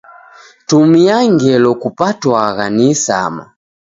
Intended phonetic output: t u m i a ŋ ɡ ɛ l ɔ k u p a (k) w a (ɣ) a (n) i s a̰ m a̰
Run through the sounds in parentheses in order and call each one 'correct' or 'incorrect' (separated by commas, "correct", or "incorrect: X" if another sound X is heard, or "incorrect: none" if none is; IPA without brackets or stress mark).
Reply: incorrect: t, correct, correct